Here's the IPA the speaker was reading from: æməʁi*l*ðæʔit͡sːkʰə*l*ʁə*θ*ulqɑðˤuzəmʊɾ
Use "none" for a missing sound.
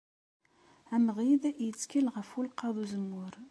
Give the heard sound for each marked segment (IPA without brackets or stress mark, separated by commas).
none, l, f